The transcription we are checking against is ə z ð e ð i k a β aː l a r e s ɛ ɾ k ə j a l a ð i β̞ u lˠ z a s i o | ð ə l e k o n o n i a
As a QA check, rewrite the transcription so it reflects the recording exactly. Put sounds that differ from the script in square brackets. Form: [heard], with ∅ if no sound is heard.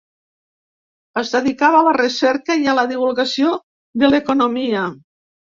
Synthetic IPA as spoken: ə z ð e ð i k a β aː l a r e s ɛ ɾ k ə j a l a ð i β̞ u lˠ [ɣ] a s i o | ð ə l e k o n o [m] i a